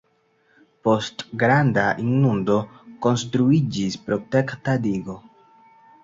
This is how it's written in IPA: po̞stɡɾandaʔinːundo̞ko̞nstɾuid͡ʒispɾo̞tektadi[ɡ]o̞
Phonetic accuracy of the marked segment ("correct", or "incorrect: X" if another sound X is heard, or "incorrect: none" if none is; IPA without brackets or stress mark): correct